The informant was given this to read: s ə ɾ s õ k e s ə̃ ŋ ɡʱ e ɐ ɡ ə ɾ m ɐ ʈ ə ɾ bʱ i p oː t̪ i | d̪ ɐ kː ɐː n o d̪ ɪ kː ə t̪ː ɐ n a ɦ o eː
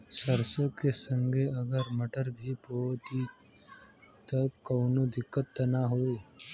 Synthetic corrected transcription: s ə ɾ s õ k e s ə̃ ŋ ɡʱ e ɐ ɡ ə ɾ m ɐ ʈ ə ɾ bʱ i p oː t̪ i | t̪ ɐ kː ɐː n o d̪ ɪ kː ə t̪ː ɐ n a ɦ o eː

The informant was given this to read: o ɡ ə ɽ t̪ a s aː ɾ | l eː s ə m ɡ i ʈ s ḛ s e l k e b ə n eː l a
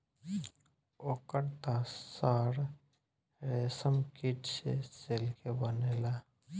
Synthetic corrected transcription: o k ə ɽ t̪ a s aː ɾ | ɾ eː s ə m k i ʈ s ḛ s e l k e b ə n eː l a

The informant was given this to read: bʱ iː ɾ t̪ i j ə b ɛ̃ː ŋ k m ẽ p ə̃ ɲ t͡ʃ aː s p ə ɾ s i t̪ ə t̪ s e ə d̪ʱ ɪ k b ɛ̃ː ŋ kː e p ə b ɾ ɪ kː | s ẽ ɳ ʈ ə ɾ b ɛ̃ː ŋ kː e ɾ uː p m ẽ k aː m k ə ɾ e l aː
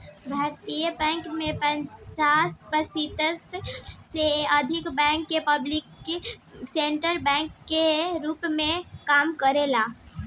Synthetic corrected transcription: bʱ aː ɾ t̪ i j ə b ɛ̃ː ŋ k m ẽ p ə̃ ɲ t͡ʃ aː s p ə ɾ s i t̪ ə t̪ s e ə d̪ʱ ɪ k b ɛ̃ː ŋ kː e p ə b l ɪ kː | s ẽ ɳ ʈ ə ɾ b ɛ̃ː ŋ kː e ɾ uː p m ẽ k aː m k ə ɾ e l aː

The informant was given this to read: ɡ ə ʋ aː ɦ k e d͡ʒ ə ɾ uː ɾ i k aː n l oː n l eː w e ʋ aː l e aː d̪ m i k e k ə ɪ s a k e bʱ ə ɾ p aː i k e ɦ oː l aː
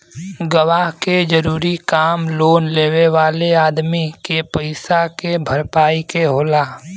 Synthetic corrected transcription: ɡ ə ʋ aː ɦ k e d͡ʒ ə ɾ uː ɾ i k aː m l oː n l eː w e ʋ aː l e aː d̪ m i k e p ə ɪ s a k e bʱ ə ɾ p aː i k e ɦ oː l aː

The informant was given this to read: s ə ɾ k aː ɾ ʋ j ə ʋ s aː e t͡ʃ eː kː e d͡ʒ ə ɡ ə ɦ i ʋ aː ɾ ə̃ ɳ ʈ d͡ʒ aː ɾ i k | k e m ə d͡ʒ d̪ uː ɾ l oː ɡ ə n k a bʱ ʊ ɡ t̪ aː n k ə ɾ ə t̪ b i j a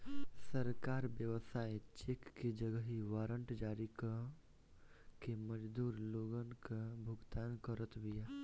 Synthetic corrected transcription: s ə ɾ k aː ɾ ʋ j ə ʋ s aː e t͡ʃ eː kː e d͡ʒ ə ɡ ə ɦ i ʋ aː ɾ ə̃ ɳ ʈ d͡ʒ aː ɾ i k | k e m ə d͡ʒ d̪ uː ɾ l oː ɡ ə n k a bʱ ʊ ɡ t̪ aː n k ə ɾ ə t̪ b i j a

